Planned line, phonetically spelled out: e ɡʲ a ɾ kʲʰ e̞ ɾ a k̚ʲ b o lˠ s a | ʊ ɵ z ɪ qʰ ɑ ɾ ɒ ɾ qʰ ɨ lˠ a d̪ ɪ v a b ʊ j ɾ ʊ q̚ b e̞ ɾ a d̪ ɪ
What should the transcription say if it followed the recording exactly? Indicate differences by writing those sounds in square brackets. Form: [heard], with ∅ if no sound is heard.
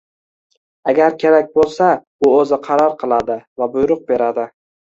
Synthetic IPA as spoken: [a] ɡʲ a ɾ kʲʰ e̞ ɾ a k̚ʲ b o lˠ s a | ʊ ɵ z ɪ qʰ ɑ ɾ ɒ ɾ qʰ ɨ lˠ a d̪ ɪ v a b ʊ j ɾ ʊ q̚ b e̞ ɾ a d̪ ɪ